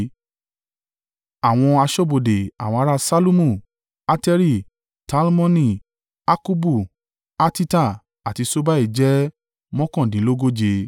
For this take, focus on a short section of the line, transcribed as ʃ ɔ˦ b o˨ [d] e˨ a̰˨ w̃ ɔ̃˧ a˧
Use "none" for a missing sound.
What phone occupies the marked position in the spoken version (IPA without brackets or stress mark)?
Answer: d